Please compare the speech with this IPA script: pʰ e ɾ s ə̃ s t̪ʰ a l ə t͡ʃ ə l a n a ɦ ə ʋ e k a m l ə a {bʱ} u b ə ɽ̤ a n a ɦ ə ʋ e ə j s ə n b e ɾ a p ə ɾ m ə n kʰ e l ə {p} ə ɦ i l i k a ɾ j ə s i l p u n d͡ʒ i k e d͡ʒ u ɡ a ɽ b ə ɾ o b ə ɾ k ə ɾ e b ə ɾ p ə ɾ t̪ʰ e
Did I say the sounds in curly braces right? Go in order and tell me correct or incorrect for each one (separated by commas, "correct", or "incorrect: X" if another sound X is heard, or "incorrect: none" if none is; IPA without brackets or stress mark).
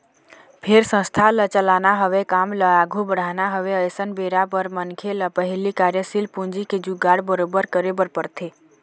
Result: incorrect: ɡʱ, correct